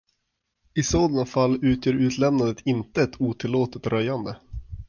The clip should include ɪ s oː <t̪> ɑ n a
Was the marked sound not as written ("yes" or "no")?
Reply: yes